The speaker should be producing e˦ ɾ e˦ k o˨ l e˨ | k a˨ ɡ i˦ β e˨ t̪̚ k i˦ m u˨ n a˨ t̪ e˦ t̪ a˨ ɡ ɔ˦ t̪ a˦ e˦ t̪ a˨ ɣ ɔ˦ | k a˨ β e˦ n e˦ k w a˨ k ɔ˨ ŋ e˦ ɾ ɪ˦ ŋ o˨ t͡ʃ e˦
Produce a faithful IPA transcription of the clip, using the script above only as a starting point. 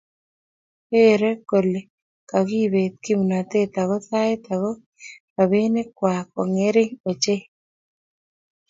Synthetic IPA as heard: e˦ ɾ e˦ k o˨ l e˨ | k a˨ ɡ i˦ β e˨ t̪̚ k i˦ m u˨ n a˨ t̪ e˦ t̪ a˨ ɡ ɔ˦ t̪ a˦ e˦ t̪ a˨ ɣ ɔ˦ | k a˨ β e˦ n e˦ k w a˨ k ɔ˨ ŋ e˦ ɾ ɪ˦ ŋ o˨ t͡ʃ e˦